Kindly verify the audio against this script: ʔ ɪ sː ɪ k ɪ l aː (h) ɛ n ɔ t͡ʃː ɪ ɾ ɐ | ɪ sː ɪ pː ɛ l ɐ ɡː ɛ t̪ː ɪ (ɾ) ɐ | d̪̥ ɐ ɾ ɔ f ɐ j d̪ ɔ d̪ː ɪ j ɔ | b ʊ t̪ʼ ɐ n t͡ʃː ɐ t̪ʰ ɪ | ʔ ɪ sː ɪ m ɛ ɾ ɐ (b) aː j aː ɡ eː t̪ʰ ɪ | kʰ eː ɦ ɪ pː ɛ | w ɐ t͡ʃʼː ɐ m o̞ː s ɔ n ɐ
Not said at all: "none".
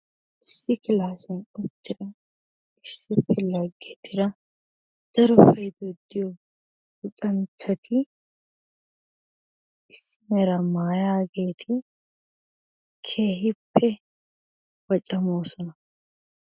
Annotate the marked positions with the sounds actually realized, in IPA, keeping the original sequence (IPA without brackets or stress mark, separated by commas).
s, ɾ, m